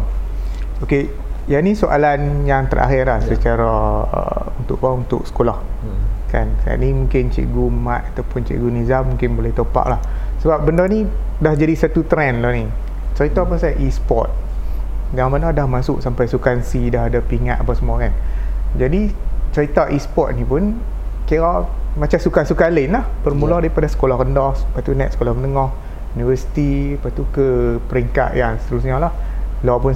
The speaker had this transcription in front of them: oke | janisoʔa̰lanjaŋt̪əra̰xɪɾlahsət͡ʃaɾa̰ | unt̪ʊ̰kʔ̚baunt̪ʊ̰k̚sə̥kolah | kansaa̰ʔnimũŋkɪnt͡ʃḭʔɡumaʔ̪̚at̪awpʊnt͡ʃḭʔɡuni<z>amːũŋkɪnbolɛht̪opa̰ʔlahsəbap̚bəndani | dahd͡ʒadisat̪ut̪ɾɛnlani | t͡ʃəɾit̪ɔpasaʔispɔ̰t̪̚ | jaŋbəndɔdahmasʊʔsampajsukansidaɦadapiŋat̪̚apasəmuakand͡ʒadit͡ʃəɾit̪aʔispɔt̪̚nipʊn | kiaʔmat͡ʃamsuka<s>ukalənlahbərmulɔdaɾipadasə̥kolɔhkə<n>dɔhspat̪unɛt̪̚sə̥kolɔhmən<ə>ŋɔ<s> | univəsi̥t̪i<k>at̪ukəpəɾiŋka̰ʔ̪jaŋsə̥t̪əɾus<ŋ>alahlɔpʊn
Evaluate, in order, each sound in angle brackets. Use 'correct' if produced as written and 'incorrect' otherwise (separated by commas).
correct, correct, correct, correct, incorrect, incorrect, incorrect